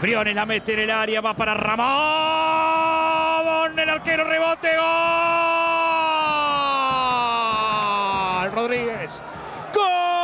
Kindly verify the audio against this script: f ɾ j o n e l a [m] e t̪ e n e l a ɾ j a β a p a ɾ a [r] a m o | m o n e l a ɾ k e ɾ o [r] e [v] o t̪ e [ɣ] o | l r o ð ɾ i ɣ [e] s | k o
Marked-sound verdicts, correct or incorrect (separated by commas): correct, correct, correct, incorrect, correct, correct